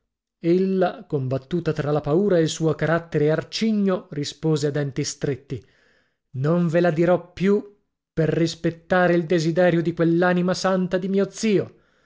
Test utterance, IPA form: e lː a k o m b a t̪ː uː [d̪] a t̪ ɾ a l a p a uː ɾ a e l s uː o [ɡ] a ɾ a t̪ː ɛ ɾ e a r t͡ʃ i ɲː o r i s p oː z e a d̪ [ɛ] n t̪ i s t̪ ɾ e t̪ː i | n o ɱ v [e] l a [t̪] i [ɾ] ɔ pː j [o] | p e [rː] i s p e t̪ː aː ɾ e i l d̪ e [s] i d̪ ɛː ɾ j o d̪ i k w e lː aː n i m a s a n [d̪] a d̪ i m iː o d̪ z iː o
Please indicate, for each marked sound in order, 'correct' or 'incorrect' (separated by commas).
incorrect, incorrect, correct, correct, incorrect, correct, incorrect, correct, incorrect, incorrect